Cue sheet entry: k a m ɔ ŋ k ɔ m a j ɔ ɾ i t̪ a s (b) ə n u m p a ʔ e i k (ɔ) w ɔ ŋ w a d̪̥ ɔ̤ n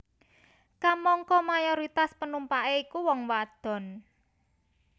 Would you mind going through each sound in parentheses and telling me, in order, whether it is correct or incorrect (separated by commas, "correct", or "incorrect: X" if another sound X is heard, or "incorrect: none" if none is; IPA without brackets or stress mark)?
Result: incorrect: p, incorrect: u